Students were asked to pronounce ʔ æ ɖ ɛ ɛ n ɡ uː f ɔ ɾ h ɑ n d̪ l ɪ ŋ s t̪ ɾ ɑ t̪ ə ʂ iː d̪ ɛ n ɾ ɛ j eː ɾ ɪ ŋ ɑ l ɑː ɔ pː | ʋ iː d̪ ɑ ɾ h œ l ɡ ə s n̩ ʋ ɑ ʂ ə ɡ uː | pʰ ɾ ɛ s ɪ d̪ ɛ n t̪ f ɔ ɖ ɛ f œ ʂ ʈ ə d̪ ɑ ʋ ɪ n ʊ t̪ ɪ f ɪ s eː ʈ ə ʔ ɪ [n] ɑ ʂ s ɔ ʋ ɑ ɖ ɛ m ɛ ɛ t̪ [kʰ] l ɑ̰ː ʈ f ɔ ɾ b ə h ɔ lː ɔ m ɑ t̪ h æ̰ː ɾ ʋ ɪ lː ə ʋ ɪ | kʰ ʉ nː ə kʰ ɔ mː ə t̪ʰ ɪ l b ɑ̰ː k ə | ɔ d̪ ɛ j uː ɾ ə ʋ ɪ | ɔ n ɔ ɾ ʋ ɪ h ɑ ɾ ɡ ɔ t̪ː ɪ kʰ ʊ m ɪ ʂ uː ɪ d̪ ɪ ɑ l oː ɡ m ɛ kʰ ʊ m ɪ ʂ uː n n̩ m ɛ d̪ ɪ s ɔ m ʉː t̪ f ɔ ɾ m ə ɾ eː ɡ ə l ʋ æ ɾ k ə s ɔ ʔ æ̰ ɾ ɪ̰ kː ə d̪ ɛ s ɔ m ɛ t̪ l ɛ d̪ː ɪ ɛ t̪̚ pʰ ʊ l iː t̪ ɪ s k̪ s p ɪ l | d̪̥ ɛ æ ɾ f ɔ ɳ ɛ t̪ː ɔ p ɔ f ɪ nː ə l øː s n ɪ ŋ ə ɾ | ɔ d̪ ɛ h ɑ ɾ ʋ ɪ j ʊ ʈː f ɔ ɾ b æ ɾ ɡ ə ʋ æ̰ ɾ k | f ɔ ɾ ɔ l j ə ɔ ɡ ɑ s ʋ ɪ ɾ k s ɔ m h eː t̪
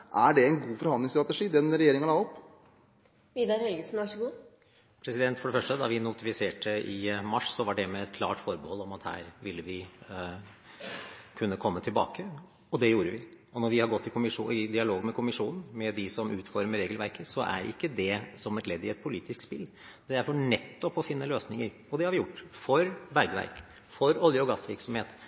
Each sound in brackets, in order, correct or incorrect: incorrect: m, correct

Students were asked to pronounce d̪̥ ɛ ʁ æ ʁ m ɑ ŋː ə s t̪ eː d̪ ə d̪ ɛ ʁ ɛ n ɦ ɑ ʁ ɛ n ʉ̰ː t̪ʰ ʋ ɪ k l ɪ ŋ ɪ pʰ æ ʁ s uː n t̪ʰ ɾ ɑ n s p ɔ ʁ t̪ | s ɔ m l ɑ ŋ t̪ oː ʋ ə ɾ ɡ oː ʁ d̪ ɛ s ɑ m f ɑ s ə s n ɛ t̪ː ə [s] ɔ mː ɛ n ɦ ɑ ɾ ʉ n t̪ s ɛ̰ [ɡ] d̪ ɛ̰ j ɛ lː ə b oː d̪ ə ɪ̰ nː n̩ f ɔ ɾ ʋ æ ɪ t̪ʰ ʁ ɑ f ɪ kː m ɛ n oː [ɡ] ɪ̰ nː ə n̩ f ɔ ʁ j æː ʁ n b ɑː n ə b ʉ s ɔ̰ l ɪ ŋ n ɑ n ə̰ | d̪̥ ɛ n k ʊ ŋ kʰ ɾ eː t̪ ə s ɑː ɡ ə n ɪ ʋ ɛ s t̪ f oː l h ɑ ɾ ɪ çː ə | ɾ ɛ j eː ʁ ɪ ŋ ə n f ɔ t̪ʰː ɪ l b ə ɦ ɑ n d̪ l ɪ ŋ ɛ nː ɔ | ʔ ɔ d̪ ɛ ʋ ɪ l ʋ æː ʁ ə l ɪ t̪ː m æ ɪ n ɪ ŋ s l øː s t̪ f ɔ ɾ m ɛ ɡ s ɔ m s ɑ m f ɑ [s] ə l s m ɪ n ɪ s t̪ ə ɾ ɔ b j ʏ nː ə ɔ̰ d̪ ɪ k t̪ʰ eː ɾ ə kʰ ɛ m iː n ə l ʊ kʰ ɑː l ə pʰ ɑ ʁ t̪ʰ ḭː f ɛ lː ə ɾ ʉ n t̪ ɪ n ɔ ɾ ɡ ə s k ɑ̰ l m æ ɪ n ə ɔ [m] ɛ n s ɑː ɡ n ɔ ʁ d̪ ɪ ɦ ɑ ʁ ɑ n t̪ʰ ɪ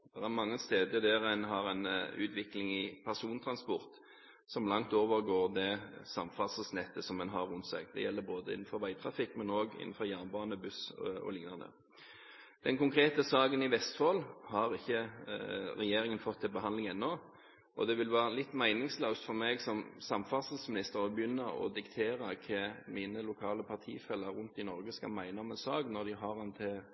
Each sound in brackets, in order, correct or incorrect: correct, correct, correct, correct, correct

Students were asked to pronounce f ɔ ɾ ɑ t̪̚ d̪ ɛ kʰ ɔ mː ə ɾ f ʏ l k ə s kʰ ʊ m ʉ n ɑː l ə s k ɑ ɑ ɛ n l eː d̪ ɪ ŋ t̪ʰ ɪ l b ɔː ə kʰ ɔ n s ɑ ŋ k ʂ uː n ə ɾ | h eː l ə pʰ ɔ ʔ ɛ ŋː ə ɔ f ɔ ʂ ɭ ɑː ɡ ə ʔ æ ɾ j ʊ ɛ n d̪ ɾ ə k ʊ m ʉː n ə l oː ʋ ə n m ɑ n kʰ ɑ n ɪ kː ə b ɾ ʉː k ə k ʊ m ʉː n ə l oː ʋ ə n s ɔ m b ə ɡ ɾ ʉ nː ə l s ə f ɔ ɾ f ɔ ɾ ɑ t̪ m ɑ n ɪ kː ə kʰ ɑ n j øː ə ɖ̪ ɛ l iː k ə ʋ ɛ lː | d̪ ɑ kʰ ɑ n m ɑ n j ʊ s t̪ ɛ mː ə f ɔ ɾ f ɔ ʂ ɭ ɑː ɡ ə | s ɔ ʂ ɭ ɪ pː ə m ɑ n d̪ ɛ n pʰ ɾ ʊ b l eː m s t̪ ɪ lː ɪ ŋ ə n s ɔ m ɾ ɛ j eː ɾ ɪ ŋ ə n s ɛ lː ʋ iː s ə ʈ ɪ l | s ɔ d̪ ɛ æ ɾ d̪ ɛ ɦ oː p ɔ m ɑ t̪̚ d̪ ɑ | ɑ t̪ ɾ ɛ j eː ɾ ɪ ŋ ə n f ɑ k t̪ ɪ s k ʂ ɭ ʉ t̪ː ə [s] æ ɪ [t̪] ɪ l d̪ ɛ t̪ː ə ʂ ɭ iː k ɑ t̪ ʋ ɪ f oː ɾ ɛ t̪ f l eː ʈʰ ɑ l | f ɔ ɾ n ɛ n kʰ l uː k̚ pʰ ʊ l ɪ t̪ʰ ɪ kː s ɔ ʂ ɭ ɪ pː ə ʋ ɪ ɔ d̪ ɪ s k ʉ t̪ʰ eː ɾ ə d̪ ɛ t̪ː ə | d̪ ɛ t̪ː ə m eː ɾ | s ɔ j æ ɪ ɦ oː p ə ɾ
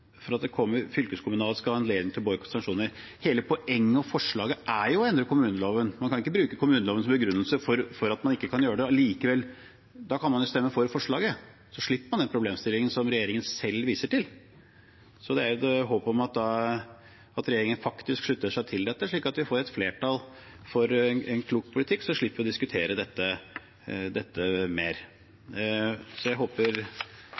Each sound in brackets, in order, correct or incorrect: incorrect: ʂ, incorrect: t̪ʰ

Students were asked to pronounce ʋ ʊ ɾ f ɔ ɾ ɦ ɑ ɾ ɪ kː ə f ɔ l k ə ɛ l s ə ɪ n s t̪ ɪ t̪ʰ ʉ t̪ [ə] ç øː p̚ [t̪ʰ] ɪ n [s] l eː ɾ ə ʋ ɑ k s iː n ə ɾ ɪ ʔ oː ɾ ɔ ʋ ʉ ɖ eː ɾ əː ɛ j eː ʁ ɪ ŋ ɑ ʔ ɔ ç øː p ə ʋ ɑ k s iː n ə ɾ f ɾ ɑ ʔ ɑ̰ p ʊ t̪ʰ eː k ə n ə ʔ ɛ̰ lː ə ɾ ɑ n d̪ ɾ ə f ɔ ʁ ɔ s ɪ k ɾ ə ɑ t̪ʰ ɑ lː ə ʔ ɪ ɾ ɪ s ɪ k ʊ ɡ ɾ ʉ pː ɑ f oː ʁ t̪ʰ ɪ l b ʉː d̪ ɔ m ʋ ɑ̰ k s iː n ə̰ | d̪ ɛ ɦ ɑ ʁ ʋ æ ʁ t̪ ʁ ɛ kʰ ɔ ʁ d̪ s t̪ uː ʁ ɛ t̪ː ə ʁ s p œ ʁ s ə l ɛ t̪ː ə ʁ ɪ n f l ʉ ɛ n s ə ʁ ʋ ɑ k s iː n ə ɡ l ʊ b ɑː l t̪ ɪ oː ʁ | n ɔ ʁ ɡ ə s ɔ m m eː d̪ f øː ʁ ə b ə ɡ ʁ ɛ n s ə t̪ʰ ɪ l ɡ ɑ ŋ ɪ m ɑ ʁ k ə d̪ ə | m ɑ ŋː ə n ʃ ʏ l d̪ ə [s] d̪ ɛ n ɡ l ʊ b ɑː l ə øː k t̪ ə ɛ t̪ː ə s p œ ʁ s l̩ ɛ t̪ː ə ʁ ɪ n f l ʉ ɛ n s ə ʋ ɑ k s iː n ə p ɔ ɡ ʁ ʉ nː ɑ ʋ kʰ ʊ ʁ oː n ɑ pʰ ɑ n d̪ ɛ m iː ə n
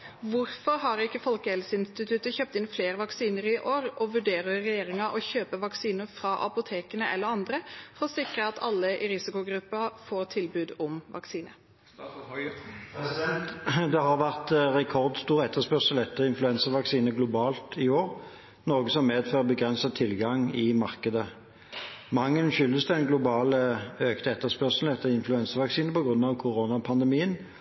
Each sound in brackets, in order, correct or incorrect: correct, incorrect: t̪, incorrect: f, correct

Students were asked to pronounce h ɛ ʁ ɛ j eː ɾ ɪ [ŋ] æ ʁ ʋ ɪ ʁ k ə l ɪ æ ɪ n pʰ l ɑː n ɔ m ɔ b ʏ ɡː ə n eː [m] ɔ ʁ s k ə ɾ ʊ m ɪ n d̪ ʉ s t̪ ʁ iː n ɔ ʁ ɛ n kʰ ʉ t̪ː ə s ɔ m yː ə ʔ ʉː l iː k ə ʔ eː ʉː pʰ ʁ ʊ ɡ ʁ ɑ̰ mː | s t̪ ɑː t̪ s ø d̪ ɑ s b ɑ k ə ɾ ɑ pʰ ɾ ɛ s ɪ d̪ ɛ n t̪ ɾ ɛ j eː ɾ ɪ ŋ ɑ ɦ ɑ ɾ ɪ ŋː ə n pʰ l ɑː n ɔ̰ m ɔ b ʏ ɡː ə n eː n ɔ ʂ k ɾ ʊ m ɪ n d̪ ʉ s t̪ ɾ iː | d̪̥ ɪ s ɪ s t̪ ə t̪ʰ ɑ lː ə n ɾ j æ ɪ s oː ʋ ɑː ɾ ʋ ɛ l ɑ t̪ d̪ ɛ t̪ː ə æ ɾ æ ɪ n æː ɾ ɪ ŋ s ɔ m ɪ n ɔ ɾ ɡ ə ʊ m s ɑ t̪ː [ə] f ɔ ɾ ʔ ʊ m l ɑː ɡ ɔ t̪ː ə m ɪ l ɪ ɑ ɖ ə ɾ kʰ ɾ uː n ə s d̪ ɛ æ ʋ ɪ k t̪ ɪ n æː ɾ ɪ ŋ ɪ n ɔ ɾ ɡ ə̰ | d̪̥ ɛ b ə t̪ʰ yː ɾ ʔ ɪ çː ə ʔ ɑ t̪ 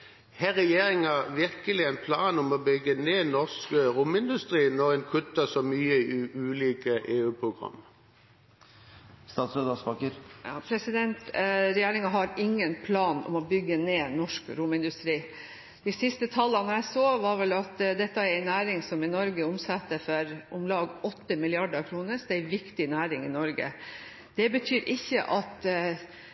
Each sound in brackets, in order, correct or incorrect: correct, incorrect: n, correct

